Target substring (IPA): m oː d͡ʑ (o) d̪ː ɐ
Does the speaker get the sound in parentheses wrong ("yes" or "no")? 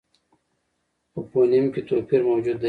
yes